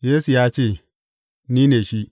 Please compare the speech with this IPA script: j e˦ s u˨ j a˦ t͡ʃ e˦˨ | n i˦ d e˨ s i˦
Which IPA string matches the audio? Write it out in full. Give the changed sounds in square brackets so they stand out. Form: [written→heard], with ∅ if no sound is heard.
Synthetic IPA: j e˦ s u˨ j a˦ t͡ʃ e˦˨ | n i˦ [d→n] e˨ [s→ʃ] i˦